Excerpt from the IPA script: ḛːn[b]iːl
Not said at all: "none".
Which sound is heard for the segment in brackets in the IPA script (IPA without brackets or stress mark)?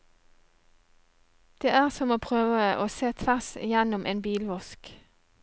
b